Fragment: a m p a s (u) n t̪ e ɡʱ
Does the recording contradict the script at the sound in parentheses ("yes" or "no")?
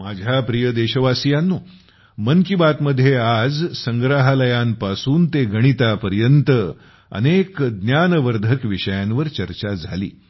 yes